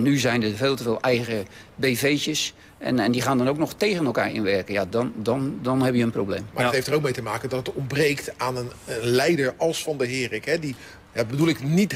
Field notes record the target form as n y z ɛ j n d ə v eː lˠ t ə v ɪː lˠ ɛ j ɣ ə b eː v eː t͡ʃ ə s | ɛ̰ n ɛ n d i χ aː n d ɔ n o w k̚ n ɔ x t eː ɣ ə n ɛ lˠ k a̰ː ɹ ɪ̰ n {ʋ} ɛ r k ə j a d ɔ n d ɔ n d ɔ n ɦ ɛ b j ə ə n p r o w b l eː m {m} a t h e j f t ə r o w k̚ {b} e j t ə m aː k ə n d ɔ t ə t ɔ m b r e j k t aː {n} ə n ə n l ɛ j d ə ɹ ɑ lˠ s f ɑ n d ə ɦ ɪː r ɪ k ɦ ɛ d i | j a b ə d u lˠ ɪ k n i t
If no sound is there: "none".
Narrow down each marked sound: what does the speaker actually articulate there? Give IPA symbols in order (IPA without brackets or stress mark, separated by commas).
ʋ, m, m, n